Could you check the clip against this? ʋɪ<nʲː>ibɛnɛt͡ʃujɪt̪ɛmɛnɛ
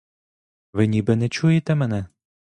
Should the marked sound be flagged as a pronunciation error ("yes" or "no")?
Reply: yes